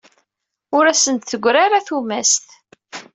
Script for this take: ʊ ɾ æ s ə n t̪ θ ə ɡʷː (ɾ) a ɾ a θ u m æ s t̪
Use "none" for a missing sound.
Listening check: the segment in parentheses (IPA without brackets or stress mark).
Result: ɾ